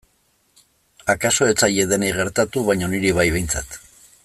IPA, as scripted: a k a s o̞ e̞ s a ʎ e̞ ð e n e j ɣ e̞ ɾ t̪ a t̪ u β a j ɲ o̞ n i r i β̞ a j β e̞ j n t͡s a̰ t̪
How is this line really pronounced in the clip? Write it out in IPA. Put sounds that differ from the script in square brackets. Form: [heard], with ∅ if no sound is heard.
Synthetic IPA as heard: a k a s o̞ e̞ [t͡s] a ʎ e̞ ð e n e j ɣ e̞ ɾ t̪ a t̪ u β a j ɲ o̞ n i [ɾ] i β̞ a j β e̞ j n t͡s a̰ t̪